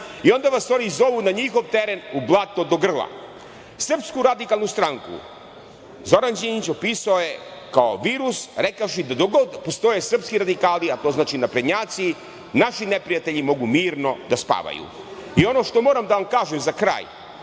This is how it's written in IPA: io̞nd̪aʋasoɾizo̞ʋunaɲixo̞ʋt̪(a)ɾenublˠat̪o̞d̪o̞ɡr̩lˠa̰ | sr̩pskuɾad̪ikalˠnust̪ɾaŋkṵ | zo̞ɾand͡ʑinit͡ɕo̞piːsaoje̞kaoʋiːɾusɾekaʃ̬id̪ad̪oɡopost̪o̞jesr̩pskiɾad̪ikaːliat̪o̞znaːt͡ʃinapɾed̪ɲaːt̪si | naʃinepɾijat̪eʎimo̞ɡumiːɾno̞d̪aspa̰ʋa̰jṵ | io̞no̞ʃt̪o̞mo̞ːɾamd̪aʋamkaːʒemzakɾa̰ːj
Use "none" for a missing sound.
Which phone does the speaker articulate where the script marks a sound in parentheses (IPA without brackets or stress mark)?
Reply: e